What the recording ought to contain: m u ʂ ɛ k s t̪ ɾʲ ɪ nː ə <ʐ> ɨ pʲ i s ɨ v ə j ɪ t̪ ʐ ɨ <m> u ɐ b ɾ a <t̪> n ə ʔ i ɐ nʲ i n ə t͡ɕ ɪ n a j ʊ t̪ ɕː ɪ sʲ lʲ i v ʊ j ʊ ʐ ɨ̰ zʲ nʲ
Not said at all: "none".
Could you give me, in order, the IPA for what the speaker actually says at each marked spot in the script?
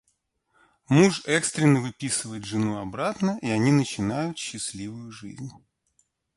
v, n, t̪

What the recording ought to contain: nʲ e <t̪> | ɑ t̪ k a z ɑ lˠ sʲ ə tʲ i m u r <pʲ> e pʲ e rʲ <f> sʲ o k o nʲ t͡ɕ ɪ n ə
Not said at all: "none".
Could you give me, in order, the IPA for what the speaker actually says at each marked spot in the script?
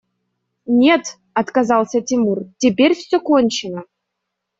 t̪, tʲ, f

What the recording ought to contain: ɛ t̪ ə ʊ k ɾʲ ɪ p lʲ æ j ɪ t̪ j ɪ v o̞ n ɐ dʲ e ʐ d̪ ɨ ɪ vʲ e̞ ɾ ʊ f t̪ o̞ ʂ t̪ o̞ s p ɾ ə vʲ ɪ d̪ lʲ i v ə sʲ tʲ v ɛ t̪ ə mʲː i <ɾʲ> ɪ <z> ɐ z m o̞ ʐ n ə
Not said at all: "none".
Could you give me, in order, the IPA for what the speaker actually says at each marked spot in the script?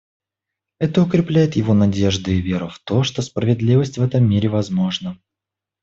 ɾʲ, v

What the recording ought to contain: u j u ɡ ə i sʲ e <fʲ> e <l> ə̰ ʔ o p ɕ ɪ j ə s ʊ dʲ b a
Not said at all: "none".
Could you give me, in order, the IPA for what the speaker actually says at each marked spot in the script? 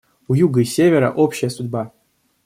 vʲ, ɾ

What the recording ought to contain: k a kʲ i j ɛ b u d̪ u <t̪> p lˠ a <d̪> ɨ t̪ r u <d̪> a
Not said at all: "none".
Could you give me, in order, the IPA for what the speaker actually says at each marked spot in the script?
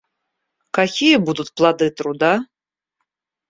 t̪, d̪, d̪

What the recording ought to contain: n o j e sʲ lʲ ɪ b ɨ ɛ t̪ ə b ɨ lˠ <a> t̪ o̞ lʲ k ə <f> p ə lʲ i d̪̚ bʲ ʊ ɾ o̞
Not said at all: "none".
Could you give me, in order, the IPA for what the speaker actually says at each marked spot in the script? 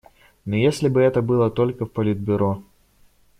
ə, f

